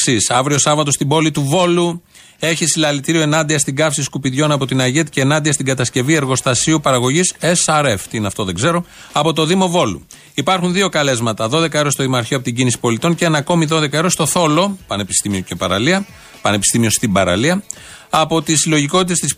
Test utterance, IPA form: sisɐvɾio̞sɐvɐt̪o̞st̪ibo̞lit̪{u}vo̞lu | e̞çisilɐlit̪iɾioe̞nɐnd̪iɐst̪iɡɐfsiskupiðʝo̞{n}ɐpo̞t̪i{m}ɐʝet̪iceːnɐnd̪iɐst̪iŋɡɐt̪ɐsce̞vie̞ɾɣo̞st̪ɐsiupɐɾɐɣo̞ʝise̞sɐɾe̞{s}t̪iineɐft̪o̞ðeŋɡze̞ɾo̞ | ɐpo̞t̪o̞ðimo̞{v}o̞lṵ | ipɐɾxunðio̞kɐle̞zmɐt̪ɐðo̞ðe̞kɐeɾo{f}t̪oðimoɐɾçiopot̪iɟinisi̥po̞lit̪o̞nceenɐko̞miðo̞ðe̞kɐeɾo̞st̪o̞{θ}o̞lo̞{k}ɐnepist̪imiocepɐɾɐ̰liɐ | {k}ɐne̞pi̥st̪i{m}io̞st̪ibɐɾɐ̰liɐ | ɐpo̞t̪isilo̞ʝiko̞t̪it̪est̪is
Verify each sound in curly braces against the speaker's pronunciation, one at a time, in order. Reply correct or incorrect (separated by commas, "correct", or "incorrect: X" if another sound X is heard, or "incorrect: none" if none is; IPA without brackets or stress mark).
correct, correct, incorrect: n, incorrect: f, correct, incorrect: s, correct, incorrect: p, incorrect: p, correct